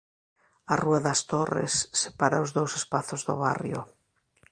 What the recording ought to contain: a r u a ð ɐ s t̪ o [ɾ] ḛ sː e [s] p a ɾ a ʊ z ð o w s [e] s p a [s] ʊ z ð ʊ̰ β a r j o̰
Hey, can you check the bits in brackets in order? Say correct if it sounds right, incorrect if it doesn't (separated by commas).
incorrect, incorrect, correct, incorrect